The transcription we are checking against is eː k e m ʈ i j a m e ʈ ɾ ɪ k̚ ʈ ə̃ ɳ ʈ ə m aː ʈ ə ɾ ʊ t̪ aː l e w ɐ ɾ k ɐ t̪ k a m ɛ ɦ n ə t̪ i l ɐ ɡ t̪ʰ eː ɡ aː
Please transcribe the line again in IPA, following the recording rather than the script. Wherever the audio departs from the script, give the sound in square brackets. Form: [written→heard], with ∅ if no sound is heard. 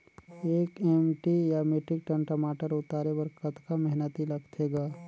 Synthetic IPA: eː k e m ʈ i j a m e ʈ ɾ ɪ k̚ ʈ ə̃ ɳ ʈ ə m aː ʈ ə ɾ ʊ t̪ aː [l→ɾ] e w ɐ ɾ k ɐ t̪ k a m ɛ ɦ n ə t̪ i l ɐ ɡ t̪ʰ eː ɡ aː